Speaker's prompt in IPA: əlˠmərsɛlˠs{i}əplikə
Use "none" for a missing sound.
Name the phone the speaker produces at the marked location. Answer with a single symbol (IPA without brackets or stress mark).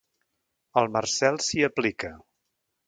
i